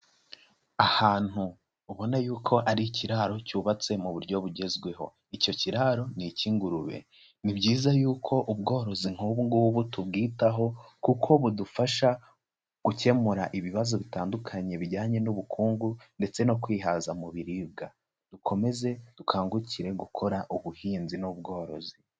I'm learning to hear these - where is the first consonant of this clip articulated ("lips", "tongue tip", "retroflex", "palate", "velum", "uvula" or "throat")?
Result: throat